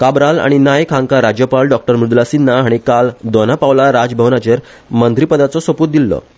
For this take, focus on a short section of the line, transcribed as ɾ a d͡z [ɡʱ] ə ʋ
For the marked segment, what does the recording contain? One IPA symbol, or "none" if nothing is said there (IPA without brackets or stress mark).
bʱ